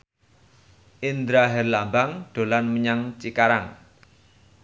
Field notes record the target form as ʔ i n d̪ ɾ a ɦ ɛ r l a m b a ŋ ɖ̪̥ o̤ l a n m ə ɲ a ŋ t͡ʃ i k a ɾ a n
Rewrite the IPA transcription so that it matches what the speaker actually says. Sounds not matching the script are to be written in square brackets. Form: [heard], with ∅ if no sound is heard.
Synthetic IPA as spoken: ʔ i n d̪ ɾ a ɦ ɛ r l a m b a ŋ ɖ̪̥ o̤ l a n m ə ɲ a ŋ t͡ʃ i k a ɾ a [ŋ]